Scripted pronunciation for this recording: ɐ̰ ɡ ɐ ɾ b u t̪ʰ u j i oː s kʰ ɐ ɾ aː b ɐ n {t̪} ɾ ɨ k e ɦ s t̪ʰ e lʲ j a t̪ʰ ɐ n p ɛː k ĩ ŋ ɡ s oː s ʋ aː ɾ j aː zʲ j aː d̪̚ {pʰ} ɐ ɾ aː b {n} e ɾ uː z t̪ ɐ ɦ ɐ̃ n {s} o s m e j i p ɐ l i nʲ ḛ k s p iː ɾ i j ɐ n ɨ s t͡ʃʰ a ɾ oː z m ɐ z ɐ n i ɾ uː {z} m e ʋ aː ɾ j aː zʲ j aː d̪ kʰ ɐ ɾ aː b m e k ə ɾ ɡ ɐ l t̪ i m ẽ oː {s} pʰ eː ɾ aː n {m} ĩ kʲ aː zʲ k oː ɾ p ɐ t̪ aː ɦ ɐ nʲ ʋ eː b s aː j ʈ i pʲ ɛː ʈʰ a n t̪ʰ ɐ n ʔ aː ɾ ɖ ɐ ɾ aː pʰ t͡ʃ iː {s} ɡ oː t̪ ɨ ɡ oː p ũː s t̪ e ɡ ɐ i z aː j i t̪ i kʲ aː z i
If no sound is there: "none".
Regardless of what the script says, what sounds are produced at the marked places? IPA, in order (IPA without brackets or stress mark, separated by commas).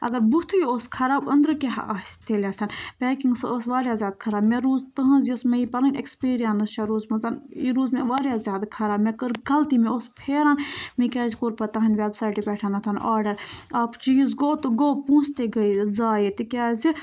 d̪, kʰ, m, z, z, s, m, z